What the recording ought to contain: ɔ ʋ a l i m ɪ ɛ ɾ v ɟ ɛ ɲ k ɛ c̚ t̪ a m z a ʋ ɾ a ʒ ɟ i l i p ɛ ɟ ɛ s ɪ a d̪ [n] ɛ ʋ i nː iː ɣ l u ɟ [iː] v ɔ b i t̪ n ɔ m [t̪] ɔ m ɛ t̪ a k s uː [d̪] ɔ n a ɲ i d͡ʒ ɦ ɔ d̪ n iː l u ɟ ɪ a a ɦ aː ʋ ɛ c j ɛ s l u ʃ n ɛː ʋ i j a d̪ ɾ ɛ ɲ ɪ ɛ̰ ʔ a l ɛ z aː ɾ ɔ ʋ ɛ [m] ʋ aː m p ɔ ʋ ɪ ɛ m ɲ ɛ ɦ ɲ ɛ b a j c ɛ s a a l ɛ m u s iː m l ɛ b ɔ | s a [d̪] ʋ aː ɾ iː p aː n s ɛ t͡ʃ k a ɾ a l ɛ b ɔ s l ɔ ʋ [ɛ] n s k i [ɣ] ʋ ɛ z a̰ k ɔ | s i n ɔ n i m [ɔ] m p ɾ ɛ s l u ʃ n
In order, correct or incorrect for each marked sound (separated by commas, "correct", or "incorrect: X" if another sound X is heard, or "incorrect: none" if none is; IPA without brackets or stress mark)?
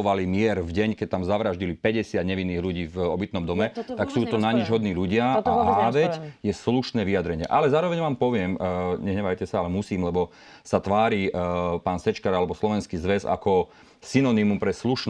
incorrect: ɲ, correct, incorrect: d̪, incorrect: t̪, incorrect: ɲ, incorrect: t̪, correct, incorrect: z, incorrect: u